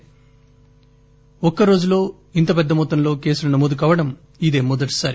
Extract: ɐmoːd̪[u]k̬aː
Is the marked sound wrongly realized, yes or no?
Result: no